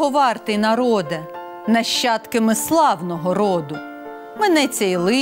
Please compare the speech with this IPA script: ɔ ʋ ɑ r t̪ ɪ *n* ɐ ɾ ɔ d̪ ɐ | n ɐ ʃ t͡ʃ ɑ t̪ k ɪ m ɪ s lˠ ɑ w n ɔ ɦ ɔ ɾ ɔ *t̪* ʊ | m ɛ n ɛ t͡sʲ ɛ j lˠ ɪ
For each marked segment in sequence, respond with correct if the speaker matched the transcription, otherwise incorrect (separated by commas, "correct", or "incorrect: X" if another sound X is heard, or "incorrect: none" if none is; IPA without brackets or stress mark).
correct, incorrect: d̪